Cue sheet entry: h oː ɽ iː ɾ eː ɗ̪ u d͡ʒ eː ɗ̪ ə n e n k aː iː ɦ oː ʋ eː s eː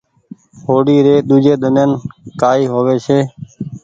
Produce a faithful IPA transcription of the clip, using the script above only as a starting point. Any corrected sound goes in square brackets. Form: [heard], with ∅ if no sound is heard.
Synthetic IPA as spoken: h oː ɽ iː ɾ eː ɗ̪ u d͡ʒ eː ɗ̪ ə n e n k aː iː ɦ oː ʋ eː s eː